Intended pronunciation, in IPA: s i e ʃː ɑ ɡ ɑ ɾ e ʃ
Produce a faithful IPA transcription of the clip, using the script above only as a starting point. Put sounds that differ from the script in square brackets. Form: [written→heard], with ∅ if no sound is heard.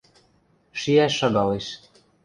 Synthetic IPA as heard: [s→ʃ] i [e→æ] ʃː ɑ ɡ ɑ [ɾ→l] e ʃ